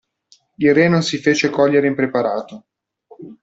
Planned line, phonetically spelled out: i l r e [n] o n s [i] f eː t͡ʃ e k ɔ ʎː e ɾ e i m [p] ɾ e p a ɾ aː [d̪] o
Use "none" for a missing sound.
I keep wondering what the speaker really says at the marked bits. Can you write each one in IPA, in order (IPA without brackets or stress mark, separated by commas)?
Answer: n, i, p, t̪